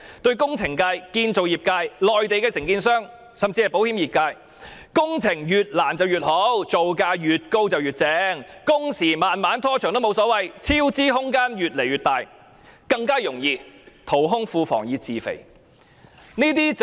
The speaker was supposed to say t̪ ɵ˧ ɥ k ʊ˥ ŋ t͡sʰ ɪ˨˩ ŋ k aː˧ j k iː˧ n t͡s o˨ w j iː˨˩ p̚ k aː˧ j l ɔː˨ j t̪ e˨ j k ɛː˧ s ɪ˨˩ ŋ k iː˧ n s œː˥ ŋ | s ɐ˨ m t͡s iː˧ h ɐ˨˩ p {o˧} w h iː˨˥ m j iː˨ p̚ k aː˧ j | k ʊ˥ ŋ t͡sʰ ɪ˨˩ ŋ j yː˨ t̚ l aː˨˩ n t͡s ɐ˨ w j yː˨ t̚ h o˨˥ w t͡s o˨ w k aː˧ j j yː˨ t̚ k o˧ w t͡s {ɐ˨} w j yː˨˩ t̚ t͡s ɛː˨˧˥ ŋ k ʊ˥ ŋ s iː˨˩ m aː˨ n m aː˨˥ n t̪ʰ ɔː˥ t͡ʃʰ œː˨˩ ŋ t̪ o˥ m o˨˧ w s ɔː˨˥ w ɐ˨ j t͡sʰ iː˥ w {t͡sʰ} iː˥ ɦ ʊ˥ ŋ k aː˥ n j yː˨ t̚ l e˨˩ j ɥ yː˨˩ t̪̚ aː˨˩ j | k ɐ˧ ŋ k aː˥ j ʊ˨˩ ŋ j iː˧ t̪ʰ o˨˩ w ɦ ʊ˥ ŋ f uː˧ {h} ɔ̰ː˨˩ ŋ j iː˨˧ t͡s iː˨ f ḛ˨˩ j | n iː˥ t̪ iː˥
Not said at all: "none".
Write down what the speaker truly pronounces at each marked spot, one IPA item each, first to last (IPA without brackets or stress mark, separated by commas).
o˨˥, ɐ˨, t͡s, f